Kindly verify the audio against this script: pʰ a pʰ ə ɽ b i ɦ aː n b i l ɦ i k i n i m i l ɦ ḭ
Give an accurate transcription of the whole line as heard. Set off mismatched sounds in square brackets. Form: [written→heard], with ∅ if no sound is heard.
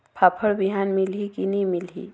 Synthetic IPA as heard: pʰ a pʰ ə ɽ b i ɦ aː n [b→m] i l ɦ i k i n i m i l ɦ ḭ

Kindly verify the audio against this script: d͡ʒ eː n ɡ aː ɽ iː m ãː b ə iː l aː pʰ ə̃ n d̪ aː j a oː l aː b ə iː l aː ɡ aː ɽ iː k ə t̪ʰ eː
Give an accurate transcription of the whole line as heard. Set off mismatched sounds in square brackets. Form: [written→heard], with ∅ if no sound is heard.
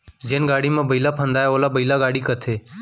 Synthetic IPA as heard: d͡ʒ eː n ɡ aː ɽ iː m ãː b ə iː l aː pʰ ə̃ n d̪ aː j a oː l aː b ə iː l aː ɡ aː ɽ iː k ə t̪ʰ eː

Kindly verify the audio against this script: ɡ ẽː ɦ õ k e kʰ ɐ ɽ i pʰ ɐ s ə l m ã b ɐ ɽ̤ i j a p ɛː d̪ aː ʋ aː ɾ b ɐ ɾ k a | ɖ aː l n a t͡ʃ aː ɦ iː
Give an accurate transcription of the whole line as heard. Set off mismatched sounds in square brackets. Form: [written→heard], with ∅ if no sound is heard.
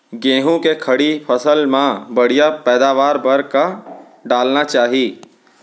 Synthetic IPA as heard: ɡ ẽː ɦ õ k e kʰ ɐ ɽ i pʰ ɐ s ə l m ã b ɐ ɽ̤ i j a p ɛː d̪ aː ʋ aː ɾ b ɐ ɾ k a | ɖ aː l n a t͡ʃ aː ɦ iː

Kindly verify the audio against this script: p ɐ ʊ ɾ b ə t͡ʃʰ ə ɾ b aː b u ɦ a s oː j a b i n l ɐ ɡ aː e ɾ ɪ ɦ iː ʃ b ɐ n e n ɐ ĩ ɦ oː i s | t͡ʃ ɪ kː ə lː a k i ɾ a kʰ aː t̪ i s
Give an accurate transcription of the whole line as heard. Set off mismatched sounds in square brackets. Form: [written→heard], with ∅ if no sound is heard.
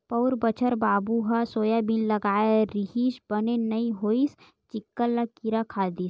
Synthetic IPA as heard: p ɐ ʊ ɾ b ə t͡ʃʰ ə ɾ b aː b u ɦ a s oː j a b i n l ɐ ɡ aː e ɾ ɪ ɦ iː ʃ b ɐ n e n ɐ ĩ ɦ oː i s | t͡ʃ ɪ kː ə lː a k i ɾ a kʰ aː [t̪→d̪] i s

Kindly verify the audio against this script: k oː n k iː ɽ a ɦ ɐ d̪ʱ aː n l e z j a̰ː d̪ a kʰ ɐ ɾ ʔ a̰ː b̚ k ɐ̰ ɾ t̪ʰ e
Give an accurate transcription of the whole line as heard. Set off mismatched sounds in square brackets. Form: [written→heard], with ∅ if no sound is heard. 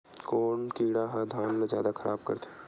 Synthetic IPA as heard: k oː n k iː ɽ a ɦ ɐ d̪ʱ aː n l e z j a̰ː d̪ a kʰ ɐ ɾ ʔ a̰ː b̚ k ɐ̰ ɾ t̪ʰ e

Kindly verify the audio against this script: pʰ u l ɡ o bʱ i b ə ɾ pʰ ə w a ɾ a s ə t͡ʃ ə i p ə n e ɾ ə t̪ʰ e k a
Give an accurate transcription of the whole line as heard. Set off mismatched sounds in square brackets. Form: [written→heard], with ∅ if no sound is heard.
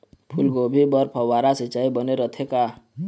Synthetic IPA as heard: pʰ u l ɡ o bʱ i b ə ɾ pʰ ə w a ɾ a s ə t͡ʃ [ə→a] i [p→b] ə n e ɾ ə t̪ʰ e k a

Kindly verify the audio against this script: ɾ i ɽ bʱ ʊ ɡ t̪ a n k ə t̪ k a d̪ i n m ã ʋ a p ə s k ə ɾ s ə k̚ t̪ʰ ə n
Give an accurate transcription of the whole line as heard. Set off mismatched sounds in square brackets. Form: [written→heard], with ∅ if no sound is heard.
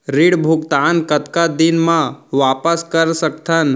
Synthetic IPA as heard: ɾ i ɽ bʱ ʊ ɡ t̪ a n k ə t̪ k a d̪ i n m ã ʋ a p ə s k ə ɾ s ə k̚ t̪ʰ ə n

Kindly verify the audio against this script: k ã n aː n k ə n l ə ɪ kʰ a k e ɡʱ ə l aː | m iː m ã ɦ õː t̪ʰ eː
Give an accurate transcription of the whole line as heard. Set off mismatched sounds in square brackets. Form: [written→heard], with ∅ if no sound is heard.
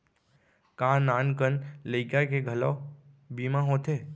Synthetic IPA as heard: k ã n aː n k ə n l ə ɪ [kʰ→k] a k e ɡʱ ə l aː | [m→b] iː m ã ɦ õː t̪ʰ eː

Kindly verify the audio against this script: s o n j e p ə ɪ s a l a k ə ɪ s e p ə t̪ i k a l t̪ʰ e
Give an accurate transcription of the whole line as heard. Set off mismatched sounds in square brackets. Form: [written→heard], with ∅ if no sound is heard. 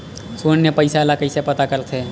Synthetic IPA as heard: s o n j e p ə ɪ s a l a k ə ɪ s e p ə t̪ [i→a] k [a→ə] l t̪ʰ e

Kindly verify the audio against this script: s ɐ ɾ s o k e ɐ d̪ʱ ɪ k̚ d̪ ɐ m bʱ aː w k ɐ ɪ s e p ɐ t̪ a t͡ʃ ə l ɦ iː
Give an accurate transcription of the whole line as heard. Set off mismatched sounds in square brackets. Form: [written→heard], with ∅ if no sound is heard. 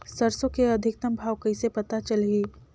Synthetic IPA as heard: s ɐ ɾ s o k e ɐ d̪ʱ ɪ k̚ [d̪→t̪] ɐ m bʱ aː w k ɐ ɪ s e p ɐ t̪ a t͡ʃ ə l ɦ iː

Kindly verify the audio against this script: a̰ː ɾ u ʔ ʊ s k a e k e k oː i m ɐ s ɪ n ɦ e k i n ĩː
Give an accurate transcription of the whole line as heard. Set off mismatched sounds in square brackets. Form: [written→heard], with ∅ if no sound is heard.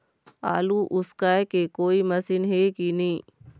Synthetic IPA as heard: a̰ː [ɾ→l] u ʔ ʊ s k a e k e k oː i m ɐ s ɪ n ɦ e k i n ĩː

